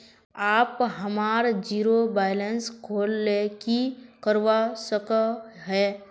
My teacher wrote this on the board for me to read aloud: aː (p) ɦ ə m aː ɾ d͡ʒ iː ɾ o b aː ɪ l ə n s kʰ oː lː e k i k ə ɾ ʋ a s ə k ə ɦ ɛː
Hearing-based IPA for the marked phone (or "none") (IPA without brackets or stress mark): p